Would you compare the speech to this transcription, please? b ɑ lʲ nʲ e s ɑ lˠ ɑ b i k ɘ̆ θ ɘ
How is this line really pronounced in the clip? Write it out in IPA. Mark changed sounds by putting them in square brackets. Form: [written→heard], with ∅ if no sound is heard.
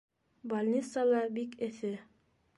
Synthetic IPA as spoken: b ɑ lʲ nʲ [e→i] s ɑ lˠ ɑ b i k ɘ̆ θ ɘ